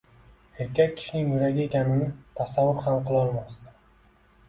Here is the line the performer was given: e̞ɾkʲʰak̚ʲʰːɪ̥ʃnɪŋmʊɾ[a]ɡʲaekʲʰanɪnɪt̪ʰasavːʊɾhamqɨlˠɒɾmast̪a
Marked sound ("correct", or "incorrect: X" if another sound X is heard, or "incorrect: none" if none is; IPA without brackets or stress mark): correct